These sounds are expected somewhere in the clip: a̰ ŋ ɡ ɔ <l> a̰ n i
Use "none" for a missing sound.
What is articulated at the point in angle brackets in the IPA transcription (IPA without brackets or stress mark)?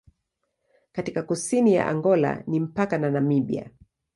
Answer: l